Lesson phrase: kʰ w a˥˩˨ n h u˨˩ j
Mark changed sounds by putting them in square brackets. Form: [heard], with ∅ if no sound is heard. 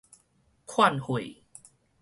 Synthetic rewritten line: kʰ w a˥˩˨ n h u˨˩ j